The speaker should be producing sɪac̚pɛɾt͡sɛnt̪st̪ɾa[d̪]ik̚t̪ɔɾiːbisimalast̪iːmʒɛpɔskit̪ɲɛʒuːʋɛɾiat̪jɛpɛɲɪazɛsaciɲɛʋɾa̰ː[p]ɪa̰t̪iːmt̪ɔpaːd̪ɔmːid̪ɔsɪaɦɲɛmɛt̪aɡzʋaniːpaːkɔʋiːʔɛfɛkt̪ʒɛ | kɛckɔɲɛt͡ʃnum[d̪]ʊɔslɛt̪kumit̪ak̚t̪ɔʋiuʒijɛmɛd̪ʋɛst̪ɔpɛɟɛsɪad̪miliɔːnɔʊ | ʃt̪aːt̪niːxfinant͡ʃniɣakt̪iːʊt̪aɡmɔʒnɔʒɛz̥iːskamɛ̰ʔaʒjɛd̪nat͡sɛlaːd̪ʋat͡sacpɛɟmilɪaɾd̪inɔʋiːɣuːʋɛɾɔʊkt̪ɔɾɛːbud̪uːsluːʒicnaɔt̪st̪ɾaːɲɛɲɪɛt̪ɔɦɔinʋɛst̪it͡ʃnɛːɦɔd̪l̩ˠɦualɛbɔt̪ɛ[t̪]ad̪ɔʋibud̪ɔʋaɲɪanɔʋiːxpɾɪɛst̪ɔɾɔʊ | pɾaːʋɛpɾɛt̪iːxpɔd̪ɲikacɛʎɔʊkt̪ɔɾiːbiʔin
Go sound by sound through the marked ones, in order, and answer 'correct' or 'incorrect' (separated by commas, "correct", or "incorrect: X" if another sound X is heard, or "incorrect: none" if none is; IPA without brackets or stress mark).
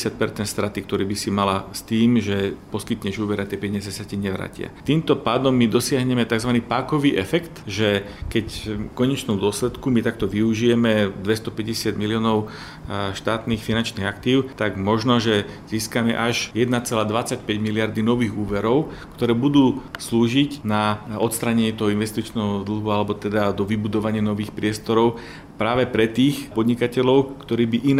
incorrect: t̪, incorrect: c, correct, incorrect: d̪